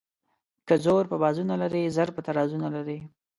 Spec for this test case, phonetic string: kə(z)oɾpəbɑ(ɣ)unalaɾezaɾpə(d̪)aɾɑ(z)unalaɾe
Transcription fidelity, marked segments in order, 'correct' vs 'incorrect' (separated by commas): correct, incorrect, incorrect, correct